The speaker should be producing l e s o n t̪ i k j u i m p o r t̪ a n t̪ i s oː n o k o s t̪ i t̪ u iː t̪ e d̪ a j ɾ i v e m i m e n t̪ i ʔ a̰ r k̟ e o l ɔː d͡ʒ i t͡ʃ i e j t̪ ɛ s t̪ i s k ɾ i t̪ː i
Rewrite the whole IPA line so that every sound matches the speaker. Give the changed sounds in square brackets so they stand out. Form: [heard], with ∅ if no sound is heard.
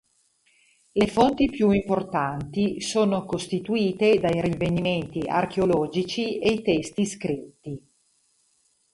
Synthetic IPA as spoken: l e [f] o n t̪ i [p] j u i m p o r t̪ a n t̪ i s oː n o k o s t̪ i t̪ u iː t̪ e d̪ a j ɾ i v e [n] i m e n t̪ i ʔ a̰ r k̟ e o l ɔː d͡ʒ i t͡ʃ i e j t̪ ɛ s t̪ i s k ɾ i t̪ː i